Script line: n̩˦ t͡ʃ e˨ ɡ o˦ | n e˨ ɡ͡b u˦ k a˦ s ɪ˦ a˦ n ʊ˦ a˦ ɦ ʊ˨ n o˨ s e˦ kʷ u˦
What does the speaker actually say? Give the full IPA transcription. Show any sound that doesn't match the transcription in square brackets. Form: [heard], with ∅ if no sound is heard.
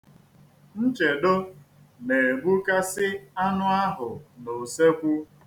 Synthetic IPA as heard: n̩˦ t͡ʃ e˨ [d] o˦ | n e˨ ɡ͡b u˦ k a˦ s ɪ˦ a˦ n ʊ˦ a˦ ɦ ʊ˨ n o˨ s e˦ kʷ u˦